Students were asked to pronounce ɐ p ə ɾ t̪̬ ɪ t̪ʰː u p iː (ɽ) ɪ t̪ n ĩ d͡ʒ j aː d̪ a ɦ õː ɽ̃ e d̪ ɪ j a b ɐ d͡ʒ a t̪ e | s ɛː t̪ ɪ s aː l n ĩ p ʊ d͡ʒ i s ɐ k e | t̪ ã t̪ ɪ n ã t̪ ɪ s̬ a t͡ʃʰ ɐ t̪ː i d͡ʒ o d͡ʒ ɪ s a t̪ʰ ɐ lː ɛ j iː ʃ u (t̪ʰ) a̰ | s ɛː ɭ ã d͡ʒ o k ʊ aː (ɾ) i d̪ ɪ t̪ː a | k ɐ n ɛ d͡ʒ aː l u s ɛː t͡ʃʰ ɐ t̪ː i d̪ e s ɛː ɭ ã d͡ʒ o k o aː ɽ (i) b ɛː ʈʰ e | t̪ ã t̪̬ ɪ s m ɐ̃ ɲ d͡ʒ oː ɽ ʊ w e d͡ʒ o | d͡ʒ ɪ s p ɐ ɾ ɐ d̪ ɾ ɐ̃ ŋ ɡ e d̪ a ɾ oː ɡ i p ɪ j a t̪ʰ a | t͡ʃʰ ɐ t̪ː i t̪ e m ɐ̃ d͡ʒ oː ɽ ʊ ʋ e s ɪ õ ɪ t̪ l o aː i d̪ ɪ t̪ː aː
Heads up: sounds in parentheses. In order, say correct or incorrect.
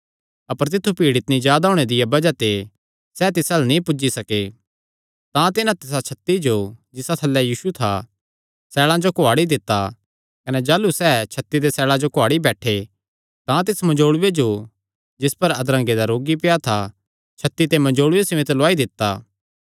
correct, correct, incorrect: ɽ, correct

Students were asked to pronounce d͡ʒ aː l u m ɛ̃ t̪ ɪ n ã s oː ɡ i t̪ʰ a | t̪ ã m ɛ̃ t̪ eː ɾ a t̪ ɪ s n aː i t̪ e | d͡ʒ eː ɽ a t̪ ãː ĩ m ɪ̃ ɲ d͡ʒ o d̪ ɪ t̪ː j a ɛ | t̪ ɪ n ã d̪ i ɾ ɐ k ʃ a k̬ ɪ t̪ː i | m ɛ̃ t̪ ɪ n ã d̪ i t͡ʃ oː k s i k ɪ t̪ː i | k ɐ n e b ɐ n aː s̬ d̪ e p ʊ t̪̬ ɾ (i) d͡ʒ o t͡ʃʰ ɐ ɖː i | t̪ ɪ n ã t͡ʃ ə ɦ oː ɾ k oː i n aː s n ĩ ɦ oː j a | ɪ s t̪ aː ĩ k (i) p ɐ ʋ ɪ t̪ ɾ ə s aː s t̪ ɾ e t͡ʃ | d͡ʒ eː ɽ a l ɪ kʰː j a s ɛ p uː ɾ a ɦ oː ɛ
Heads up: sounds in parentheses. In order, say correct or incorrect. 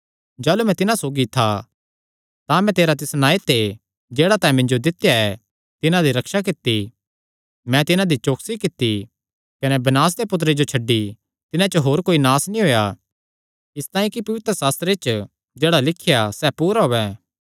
incorrect: e, correct

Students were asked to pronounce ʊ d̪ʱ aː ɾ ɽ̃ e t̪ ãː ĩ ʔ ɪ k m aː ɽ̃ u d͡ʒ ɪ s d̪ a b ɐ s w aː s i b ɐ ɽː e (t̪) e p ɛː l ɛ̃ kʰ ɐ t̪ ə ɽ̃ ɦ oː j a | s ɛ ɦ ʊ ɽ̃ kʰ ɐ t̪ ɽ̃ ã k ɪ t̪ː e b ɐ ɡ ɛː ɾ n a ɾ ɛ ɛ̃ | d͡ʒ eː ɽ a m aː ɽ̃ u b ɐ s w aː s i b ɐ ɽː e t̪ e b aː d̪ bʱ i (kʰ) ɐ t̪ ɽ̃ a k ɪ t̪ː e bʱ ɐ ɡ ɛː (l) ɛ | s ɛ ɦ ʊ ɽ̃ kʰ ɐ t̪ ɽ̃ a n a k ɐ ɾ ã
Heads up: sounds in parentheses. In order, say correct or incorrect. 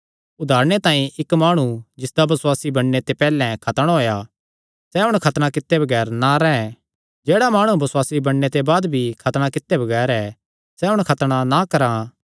correct, correct, incorrect: ɾ

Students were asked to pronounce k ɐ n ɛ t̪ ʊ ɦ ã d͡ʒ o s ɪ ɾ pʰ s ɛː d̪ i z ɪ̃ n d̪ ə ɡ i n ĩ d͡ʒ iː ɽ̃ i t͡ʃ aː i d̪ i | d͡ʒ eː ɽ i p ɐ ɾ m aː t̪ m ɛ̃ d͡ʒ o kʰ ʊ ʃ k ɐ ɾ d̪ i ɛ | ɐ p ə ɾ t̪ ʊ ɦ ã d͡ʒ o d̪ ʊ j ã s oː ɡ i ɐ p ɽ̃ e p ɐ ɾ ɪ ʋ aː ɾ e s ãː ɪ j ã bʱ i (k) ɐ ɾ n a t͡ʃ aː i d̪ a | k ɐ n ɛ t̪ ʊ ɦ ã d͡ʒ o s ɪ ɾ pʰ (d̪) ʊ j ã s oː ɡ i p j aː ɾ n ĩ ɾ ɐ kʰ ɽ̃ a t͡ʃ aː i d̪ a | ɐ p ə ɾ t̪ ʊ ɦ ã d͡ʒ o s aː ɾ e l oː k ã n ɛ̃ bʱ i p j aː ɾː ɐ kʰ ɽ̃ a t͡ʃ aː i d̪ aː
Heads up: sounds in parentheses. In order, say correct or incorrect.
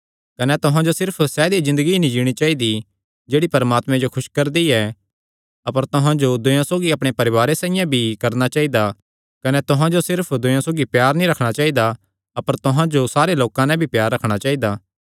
correct, correct

